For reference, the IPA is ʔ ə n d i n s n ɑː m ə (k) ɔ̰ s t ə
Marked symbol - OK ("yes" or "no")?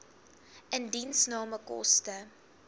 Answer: yes